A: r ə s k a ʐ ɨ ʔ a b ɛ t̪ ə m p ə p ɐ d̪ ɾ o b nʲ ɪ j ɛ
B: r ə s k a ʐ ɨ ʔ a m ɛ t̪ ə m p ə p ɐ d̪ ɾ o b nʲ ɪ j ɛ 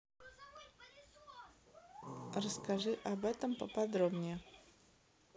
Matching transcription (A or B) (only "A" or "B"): A